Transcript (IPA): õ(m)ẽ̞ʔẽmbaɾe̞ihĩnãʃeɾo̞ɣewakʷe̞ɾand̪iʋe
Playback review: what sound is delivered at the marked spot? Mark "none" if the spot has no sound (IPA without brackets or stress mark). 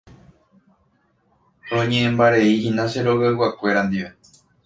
ɲ